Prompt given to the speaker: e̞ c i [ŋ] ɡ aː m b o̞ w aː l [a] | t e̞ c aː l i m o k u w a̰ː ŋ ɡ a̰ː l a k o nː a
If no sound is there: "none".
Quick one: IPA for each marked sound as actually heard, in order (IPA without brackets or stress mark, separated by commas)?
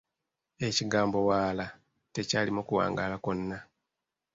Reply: none, a